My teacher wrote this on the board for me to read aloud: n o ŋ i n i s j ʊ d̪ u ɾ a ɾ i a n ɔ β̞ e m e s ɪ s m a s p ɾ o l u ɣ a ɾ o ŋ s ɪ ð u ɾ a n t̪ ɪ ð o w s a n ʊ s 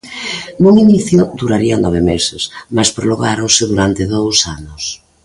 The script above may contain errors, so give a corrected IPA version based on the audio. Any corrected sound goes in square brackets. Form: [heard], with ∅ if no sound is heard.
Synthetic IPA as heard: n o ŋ i n i [θ] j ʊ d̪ u ɾ a ɾ i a n ɔ β̞ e m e s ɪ s m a s p ɾ o l [o] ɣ a ɾ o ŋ s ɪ ð u ɾ a n t̪ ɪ ð o w s a n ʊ s